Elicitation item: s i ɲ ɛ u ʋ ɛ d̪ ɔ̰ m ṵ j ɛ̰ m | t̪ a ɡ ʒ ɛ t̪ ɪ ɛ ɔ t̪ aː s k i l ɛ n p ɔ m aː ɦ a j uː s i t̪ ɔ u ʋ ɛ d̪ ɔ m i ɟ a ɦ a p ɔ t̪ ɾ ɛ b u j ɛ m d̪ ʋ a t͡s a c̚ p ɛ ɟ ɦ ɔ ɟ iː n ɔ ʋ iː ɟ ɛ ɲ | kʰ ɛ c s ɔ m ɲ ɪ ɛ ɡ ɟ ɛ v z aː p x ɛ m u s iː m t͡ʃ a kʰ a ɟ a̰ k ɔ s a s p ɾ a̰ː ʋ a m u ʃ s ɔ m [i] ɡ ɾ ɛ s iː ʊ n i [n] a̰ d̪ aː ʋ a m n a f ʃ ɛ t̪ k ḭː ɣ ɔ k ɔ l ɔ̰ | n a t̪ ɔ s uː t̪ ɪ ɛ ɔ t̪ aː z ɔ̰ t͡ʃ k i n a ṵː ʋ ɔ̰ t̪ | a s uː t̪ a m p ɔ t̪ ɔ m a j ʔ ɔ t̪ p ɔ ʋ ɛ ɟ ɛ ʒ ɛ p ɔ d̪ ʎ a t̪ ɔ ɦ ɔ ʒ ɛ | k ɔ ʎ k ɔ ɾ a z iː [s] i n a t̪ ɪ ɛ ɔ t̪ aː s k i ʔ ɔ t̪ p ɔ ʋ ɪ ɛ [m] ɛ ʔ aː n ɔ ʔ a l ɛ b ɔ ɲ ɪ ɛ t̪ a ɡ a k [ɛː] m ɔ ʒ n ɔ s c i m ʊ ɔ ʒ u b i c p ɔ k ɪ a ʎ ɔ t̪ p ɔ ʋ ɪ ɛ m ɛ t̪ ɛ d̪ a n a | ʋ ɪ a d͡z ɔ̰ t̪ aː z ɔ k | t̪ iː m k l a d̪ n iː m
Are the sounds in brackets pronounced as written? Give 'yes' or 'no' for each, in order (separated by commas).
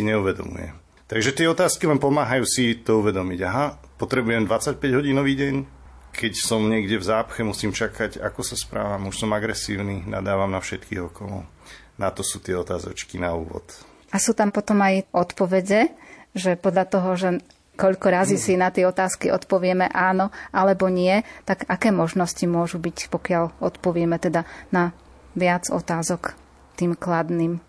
no, yes, yes, yes, yes